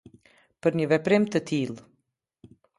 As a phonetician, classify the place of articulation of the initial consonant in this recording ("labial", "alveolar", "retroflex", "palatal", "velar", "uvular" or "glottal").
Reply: labial